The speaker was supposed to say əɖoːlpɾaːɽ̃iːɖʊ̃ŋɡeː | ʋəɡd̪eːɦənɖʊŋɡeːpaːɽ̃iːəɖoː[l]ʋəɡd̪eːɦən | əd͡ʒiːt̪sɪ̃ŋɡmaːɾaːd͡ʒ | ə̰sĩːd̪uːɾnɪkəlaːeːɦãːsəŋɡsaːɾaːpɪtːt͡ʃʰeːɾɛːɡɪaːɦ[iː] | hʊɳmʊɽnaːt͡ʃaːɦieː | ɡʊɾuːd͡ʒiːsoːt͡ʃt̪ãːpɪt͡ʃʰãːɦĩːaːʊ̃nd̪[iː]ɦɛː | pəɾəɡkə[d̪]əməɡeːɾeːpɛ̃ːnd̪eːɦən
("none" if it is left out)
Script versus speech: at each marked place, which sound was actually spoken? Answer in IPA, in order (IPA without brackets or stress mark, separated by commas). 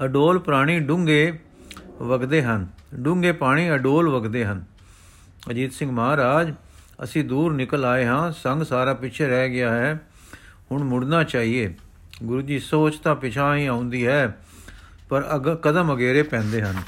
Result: l, ɛː, iː, d̪